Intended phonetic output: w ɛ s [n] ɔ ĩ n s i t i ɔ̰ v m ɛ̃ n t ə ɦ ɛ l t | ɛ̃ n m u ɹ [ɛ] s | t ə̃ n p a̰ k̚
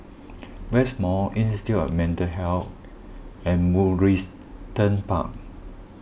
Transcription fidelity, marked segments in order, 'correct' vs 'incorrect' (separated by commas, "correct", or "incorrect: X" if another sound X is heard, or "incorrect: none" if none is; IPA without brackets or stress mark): incorrect: m, incorrect: i